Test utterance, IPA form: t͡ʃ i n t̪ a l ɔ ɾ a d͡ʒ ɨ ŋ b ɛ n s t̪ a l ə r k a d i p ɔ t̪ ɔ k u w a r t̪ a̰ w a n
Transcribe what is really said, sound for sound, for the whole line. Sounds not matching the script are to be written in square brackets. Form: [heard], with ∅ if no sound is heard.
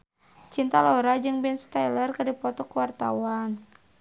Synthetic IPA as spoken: t͡ʃ i n t̪ a l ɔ ɾ a d͡ʒ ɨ ŋ b ɛ n s t̪ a l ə r k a d i p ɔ t̪ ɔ k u w a r t̪ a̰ w a n

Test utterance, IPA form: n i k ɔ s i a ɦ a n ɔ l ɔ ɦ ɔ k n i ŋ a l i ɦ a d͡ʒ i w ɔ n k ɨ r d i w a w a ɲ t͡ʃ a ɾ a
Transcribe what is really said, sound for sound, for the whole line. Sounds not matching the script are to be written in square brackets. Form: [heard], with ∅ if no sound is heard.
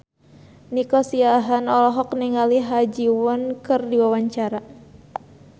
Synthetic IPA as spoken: n i k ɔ s i a ɦ a n ɔ l ɔ ɦ ɔ k n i ŋ a l i ɦ a d͡ʒ i w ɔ n k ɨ r d i w a w a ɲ t͡ʃ a ɾ a

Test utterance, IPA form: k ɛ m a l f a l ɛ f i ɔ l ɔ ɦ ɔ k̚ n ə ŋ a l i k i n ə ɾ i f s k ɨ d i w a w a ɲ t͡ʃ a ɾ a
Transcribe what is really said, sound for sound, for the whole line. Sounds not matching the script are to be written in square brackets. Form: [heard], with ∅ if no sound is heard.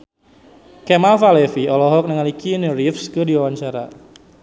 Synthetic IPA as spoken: k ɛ m a l f a l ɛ f i ɔ l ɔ ɦ ɔ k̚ n ə ŋ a l i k i n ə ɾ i f s k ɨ d i w a w a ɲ t͡ʃ a ɾ a

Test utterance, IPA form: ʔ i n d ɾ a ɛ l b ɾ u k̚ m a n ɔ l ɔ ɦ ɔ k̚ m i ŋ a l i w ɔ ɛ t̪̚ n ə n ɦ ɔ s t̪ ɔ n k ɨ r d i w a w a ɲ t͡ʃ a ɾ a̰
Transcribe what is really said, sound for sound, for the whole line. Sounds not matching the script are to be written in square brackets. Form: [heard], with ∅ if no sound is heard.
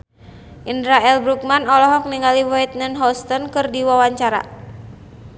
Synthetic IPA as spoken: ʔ i n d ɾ a ɛ l b ɾ u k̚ m a n ɔ l ɔ ɦ ɔ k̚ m i ŋ a l i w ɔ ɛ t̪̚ n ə n ɦ ɔ s t̪ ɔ n k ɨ r d i w a w a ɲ t͡ʃ a ɾ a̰

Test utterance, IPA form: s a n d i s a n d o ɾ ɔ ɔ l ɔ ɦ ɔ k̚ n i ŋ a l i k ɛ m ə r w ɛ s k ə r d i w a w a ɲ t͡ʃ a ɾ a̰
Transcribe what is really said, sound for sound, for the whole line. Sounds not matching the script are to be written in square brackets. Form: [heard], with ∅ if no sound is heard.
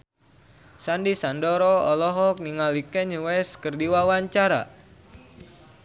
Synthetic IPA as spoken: s a n d i s a n d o ɾ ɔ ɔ l ɔ ɦ ɔ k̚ n i ŋ a l i k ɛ [ɲ] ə [∅] w ɛ s k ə r d i w a w a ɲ t͡ʃ a ɾ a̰

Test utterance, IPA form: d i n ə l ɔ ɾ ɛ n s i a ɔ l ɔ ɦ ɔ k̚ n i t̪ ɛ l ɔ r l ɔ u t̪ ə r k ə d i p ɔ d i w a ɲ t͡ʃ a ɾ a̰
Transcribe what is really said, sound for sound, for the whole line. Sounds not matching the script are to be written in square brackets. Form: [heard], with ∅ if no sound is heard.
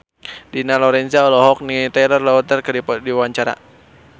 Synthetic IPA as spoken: d i n [a] l ɔ ɾ ɛ n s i a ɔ l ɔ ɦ ɔ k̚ n i t̪ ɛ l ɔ r l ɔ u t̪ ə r k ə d i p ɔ d i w a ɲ t͡ʃ a ɾ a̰

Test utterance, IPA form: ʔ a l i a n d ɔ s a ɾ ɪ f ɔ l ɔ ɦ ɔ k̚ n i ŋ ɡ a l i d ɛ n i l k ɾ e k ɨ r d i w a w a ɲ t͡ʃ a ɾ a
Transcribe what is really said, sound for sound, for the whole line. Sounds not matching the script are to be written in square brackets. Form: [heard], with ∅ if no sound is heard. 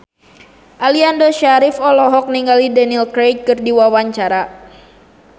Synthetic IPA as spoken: ʔ a l i a n d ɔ [ʃ] a ɾ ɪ f ɔ l ɔ ɦ ɔ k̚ n i ŋ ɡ a l i d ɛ n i l k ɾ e k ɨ r d i w a w a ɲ t͡ʃ a ɾ a

